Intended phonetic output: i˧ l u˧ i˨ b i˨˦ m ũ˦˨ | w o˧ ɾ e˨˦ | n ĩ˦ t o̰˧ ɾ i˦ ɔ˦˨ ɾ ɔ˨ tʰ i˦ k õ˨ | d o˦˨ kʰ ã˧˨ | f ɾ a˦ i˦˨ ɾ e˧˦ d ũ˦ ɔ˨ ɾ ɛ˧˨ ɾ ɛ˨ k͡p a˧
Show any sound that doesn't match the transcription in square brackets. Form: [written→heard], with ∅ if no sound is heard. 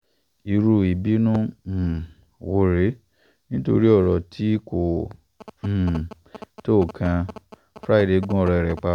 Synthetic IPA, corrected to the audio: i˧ [l→ɾ] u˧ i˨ b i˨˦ [m→n] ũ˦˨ | w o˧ ɾ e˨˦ | n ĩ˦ t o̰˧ ɾ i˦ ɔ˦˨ ɾ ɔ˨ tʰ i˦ k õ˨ | [d→t] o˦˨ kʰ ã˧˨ | f ɾ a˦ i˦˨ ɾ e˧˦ [d→ɡ] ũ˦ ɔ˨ ɾ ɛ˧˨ ɾ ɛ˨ k͡p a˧